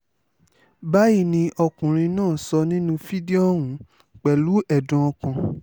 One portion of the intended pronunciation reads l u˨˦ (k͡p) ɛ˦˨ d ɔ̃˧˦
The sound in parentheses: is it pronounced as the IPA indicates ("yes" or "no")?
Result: no